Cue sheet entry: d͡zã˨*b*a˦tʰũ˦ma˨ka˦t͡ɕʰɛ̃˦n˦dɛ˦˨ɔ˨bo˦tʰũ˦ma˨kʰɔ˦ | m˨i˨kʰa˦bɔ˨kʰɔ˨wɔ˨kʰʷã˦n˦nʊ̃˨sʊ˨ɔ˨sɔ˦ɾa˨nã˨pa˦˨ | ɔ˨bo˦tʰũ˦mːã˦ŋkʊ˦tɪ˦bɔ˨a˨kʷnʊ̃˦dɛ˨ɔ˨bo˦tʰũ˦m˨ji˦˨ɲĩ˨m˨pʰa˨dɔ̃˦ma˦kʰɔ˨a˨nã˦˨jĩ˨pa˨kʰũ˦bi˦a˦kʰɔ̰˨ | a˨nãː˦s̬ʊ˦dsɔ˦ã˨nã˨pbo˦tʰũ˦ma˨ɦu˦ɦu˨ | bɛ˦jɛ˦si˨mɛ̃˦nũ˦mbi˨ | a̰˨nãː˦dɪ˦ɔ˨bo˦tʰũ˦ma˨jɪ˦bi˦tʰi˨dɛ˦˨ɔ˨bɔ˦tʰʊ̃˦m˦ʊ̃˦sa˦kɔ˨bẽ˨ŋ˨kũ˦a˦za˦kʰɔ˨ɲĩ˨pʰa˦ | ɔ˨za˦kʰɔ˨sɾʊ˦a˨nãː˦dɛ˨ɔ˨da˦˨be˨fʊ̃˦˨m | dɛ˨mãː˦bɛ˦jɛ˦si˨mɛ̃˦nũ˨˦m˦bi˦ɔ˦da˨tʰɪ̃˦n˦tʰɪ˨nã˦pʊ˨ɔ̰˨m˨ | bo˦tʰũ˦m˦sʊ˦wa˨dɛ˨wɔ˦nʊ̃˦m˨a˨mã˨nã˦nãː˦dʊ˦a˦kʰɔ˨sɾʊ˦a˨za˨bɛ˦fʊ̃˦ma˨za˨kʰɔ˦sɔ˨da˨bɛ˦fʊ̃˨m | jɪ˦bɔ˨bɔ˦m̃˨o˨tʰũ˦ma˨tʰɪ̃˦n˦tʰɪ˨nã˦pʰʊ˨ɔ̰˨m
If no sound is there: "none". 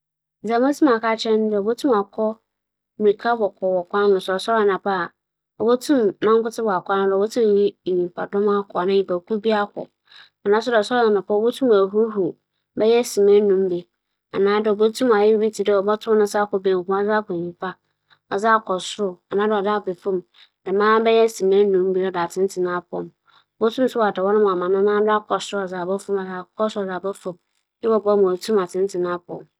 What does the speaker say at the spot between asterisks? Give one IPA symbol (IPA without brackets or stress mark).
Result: m